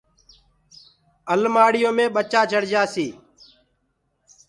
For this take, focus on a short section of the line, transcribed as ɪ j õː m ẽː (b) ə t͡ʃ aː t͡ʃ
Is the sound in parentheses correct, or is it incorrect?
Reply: incorrect